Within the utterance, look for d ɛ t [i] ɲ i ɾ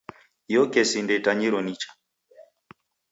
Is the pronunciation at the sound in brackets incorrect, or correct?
incorrect